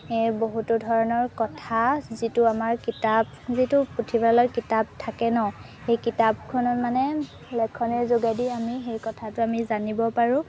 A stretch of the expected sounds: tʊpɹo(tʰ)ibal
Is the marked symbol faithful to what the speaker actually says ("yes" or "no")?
yes